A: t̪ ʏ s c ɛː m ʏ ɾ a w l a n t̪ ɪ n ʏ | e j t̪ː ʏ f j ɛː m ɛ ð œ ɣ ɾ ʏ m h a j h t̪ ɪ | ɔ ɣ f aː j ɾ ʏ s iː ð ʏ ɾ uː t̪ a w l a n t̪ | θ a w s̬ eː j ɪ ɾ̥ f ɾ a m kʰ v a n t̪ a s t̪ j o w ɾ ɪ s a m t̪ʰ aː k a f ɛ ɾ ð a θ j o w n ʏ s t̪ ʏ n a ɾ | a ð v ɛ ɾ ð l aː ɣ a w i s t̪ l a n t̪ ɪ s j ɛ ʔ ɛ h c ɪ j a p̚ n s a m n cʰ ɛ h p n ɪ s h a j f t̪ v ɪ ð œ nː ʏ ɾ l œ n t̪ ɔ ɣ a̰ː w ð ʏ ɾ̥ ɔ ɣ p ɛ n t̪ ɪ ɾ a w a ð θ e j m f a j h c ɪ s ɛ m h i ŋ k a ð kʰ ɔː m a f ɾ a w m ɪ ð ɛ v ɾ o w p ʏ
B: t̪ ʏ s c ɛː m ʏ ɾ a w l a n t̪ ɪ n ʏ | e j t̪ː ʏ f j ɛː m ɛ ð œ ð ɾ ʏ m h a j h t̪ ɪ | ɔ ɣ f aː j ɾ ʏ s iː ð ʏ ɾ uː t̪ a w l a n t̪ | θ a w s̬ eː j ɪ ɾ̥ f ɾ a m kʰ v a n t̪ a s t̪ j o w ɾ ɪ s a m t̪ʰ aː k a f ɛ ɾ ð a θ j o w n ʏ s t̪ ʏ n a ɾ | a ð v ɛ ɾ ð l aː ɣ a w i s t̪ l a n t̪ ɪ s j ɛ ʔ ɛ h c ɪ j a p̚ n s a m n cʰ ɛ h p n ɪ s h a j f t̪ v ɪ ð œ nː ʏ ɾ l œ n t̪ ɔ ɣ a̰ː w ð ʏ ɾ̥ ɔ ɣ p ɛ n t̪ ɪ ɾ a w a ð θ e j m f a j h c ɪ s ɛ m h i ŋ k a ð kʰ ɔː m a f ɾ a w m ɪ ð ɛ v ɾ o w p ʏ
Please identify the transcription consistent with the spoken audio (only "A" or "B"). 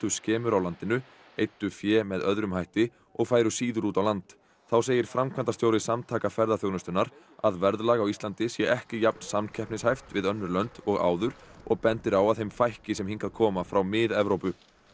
B